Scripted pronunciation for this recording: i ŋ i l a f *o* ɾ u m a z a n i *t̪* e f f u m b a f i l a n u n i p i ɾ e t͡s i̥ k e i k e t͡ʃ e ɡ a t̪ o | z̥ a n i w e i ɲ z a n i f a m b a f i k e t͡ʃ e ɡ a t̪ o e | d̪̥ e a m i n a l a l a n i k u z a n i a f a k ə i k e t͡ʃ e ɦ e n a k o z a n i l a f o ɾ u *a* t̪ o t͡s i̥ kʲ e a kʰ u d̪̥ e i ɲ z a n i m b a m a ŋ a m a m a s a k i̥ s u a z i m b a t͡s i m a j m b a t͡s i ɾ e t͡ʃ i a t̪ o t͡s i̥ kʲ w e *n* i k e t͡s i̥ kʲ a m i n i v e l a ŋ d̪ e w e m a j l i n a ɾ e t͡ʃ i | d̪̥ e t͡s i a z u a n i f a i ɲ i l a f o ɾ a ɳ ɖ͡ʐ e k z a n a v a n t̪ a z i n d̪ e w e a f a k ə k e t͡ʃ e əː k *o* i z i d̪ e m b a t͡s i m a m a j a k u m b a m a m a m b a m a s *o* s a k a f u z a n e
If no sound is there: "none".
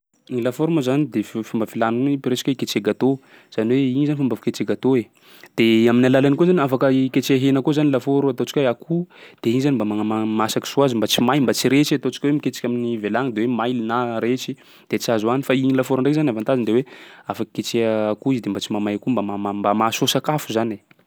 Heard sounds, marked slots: o, d̪, a, m, u, o

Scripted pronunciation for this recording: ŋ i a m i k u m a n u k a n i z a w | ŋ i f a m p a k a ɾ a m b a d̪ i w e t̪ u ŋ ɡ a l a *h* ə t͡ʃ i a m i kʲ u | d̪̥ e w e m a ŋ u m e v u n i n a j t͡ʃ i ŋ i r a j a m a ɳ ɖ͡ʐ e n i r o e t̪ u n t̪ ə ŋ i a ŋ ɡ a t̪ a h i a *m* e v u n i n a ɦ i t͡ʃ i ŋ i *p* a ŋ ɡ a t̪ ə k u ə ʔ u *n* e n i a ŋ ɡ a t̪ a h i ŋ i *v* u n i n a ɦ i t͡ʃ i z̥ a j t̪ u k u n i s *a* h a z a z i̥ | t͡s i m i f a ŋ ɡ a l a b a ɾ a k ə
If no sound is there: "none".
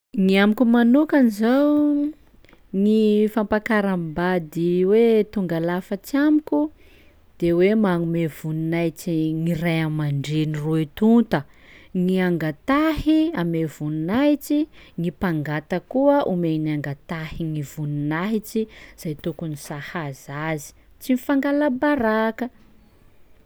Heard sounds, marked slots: f, m, p, m, v, a

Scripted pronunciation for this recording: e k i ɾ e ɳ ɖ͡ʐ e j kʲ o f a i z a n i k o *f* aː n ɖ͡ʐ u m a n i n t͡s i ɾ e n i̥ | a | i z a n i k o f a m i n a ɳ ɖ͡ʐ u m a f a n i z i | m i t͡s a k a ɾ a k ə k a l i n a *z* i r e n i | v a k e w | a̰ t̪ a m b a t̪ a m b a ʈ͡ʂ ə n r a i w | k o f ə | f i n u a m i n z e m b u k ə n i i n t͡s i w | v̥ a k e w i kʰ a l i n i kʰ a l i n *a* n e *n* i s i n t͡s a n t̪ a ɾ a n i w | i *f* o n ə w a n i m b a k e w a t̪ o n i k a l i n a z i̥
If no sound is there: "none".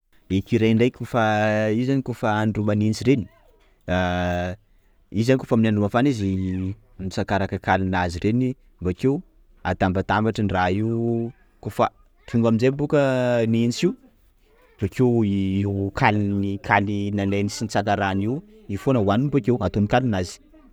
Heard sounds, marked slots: f, z, a, n, f

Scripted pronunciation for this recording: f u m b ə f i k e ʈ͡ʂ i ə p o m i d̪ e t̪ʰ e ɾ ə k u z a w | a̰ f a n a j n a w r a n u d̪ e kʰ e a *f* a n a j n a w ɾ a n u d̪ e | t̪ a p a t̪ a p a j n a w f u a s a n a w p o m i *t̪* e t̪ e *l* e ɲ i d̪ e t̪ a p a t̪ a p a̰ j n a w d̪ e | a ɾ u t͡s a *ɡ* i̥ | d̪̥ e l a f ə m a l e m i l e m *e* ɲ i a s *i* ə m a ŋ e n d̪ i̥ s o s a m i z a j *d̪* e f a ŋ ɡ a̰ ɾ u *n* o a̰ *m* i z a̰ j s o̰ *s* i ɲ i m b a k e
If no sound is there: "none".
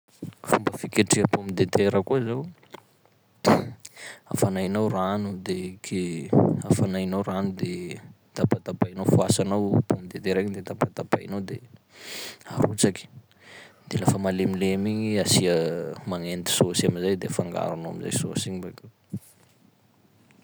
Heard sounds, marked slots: f, d̪, ɾ, k, i, i, d̪, n, m, s

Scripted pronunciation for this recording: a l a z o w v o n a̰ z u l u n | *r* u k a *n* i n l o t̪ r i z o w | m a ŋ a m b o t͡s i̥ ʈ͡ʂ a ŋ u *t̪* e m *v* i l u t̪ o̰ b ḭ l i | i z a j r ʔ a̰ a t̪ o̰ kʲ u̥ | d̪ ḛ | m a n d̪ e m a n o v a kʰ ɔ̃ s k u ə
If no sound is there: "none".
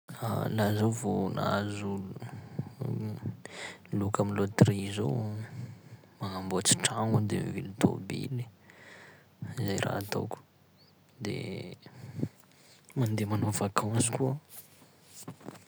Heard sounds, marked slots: l, m, d̪, v

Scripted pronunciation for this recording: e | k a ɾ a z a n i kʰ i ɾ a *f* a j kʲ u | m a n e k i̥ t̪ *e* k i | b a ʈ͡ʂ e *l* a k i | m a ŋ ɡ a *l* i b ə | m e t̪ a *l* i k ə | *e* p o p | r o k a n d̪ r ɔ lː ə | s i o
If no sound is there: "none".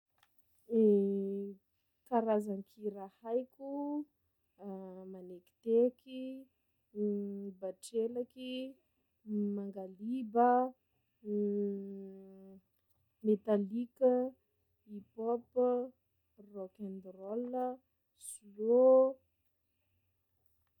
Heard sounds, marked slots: h, e, l, l, l, i

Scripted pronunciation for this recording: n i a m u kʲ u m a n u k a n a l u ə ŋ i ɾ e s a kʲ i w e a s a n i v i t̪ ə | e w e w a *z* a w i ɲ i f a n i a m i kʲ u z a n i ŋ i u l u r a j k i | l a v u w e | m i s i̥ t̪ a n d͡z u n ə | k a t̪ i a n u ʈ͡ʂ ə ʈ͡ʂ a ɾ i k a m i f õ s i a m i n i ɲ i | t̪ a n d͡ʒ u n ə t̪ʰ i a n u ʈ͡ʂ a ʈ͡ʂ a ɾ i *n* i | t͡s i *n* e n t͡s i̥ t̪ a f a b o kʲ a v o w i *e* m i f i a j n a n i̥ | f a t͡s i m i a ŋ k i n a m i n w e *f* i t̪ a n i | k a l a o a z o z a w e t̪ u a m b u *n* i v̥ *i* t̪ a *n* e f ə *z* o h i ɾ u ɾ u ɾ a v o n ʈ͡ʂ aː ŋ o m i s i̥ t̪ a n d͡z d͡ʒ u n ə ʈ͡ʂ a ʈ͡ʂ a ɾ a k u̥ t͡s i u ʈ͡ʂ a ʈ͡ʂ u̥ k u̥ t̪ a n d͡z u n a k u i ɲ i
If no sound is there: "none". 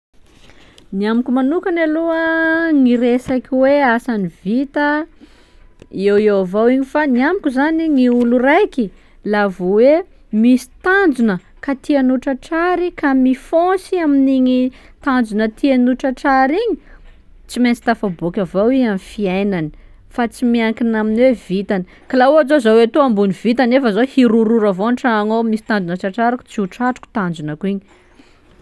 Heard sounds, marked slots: v, ɲ, m, a, v, n, i, n, z

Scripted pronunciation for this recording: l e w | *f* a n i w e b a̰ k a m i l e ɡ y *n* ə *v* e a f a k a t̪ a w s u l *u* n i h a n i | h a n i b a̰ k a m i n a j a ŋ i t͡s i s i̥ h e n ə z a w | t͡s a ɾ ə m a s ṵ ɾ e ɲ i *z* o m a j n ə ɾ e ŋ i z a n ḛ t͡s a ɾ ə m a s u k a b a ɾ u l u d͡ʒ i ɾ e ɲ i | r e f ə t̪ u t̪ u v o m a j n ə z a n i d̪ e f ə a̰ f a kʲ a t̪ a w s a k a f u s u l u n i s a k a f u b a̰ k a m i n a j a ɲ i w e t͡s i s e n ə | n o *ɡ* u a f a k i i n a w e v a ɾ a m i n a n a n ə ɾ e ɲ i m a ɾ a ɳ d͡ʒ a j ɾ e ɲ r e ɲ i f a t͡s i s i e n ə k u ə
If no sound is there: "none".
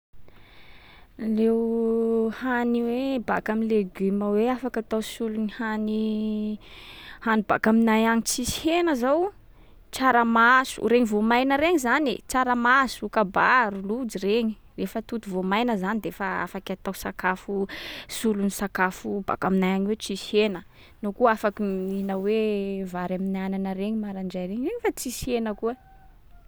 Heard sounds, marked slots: h, m, w, u, v, k

